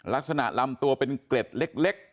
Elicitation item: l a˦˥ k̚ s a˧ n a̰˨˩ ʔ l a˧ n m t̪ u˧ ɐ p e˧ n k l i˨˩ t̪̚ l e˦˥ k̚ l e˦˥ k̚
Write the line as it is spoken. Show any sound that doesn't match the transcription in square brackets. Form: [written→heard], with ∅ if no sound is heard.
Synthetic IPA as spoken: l a˦˥ k̚ s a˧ n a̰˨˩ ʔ l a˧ [n→∅] m t̪ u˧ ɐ p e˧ n k l [i˨˩→e˨˩] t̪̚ l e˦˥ k̚ l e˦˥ k̚